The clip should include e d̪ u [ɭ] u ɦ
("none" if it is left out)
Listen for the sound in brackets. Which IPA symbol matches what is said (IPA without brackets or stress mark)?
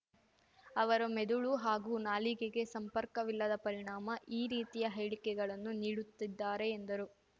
ɭ